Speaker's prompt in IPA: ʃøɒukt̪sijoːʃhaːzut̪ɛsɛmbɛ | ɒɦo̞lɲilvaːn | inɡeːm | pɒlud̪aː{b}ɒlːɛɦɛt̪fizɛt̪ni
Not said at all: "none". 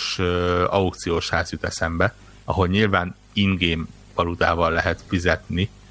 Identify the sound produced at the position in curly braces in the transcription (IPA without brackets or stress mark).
v